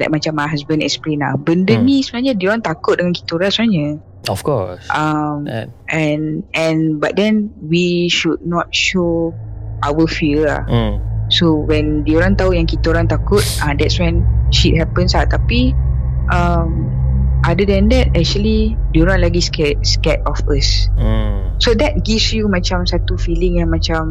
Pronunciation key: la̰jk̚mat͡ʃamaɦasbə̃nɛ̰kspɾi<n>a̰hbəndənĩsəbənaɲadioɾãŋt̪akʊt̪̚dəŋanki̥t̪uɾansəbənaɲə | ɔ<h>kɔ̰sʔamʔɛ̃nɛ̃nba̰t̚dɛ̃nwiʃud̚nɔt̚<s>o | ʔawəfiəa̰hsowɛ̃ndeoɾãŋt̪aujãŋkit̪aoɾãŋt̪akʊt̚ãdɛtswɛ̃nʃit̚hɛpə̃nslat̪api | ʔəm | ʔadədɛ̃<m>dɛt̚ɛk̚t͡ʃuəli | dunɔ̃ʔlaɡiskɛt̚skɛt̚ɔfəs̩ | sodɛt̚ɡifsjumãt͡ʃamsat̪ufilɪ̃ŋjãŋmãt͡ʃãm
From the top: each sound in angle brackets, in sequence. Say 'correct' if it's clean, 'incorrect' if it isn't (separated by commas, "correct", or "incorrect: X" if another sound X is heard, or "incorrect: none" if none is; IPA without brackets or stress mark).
correct, incorrect: f, incorrect: ʃ, incorrect: n